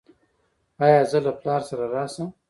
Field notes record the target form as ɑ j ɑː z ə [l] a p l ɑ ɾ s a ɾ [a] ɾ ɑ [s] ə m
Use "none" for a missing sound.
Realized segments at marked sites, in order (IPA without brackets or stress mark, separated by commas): l, a, s